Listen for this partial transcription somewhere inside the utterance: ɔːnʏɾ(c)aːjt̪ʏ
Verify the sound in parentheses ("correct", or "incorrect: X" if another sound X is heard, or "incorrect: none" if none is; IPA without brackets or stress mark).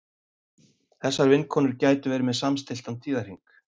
correct